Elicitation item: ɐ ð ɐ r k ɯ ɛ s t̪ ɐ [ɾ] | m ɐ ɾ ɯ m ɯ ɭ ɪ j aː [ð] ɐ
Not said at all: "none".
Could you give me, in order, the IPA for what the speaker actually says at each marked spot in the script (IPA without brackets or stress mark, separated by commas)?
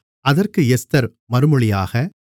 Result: ɾ, ɣ